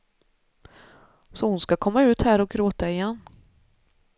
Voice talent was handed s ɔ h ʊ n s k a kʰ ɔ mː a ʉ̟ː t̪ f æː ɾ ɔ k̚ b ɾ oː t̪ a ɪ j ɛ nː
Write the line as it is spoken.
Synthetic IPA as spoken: s ɔ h ʊ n s k a kʰ ɔ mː a ʉ̟ː t̪ h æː ɾ ɔ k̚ ɡ ɾ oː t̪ a ɪ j ɛ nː